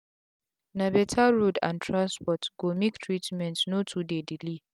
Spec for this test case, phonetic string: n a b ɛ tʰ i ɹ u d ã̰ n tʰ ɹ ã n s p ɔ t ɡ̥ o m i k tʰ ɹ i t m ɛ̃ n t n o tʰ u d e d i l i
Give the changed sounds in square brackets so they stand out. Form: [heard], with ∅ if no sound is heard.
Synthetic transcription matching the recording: n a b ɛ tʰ [a] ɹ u d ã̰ n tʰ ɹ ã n s p ɔ t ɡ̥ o m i k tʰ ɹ i t m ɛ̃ n t n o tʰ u d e d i l i